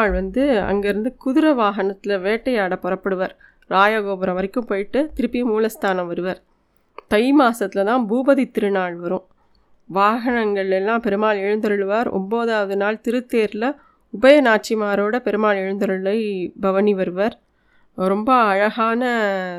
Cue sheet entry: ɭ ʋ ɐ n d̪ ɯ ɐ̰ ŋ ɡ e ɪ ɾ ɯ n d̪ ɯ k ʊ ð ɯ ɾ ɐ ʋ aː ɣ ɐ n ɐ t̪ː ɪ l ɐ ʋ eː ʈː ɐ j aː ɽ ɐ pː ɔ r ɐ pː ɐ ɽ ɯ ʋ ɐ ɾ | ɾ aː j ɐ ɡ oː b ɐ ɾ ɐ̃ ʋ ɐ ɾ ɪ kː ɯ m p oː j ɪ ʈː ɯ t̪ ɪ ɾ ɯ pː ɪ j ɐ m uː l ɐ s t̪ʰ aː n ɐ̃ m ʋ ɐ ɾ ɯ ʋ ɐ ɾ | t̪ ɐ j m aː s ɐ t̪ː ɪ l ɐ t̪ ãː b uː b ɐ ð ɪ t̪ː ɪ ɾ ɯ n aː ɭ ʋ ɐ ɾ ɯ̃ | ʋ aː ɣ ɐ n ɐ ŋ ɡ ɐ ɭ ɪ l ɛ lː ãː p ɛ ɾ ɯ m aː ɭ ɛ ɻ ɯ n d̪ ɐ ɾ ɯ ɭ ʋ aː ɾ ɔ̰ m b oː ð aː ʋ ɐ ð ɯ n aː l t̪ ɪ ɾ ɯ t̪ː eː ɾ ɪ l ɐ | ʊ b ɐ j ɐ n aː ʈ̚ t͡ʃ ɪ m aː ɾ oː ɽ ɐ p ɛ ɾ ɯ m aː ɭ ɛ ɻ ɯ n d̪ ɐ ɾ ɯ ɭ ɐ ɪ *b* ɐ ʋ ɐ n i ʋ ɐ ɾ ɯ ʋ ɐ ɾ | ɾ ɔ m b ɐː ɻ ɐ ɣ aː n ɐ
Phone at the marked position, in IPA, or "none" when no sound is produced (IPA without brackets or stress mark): b